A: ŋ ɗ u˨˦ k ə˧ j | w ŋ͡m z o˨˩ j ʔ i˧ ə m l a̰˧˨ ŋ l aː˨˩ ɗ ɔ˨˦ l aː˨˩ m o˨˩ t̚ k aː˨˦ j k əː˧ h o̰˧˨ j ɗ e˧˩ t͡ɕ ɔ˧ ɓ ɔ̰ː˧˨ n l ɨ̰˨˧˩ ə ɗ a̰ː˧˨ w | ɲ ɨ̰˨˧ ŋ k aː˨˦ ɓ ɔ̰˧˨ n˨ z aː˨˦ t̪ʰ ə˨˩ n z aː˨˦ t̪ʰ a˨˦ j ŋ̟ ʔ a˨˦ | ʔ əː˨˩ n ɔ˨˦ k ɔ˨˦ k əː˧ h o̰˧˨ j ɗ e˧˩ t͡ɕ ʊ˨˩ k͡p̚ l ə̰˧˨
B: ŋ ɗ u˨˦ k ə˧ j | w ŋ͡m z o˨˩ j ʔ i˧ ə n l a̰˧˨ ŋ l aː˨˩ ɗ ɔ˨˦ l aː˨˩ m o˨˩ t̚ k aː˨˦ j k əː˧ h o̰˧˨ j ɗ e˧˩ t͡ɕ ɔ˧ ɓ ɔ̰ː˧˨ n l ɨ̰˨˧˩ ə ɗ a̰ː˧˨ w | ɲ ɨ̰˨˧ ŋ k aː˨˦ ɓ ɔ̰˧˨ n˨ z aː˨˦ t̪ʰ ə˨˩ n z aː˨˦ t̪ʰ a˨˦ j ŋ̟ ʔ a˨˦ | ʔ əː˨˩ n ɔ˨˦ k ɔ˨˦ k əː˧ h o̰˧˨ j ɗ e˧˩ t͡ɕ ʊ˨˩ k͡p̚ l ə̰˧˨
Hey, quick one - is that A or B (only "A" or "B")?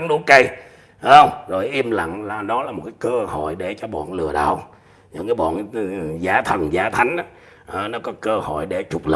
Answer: A